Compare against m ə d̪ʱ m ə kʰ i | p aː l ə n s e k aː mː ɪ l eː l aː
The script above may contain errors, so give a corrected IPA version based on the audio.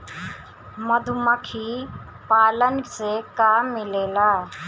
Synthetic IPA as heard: m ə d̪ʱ m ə kʰ i | p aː l ə n s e k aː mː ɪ l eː l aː

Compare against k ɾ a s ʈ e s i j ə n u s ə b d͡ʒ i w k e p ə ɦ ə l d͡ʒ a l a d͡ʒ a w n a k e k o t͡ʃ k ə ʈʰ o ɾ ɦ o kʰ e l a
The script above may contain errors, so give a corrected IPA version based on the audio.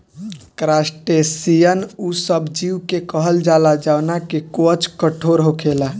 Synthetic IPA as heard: k ɾ a s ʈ e s i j ə n u s ə b d͡ʒ i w k e k ə ɦ ə l d͡ʒ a l a d͡ʒ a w n a k e k o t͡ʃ k ə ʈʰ o ɾ ɦ o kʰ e l a

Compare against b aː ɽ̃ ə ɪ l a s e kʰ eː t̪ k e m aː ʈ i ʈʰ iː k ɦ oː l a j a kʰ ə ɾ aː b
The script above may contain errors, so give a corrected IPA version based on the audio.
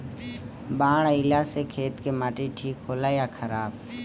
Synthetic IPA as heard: b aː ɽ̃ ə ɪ l a s e kʰ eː t̪ k e m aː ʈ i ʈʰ iː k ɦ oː l a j a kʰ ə ɾ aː b

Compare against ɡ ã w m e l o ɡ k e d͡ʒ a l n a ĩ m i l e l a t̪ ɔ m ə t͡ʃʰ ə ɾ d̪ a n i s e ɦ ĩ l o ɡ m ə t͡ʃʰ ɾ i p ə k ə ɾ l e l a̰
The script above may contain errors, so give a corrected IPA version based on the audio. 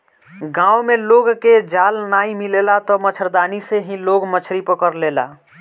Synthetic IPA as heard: ɡ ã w m e l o ɡ k e d͡ʒ a l n a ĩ m i l e l a t̪ ɔ m ə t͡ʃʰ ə ɾ d̪ a n i s e ɦ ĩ l o ɡ m ə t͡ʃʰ ɾ i p ə k ə ɾ l e l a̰

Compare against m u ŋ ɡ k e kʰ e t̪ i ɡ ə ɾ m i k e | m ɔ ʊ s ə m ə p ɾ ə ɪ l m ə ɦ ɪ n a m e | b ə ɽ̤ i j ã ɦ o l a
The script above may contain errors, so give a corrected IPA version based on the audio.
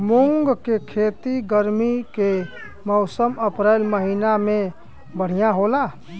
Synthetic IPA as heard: m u ŋ ɡ k e kʰ e t̪ i ɡ ə ɾ m i k e | m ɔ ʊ s ə m ə p ɾ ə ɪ l m ə ɦ i n a m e | b ə ɽ̤ i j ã ɦ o l a

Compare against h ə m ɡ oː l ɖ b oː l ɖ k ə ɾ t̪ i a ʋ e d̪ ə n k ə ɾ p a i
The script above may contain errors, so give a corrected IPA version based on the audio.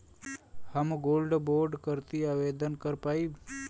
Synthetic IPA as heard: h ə m ɡ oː l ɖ b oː ɾ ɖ k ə ɾ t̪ i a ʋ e d̪ ə n k ə ɾ p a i

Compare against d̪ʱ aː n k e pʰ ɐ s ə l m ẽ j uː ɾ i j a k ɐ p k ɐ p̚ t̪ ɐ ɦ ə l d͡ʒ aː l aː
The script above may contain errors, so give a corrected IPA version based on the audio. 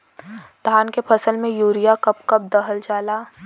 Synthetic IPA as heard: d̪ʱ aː n k e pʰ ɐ s ə l m ẽ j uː ɾ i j a k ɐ p k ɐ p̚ d̪ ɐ ɦ ə l d͡ʒ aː l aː

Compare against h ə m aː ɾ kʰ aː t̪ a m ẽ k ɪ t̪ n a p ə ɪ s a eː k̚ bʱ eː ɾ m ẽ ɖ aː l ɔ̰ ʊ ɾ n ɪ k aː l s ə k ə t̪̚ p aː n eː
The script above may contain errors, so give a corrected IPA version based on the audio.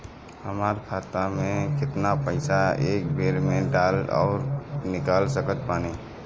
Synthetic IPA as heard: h ə m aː ɾ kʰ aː t̪ a m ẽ k ɪ t̪ n a p ə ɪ s a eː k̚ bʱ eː ɾ m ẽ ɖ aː l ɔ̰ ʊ ɾ n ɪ k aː l s ə k ə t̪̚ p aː n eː

